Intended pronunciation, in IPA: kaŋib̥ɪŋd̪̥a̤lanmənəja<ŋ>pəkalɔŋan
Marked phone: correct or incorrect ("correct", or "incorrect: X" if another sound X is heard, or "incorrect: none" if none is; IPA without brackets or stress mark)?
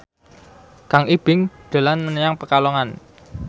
correct